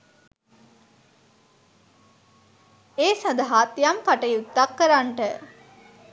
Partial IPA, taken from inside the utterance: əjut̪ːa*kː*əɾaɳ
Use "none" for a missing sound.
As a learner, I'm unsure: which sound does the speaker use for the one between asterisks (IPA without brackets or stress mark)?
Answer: kː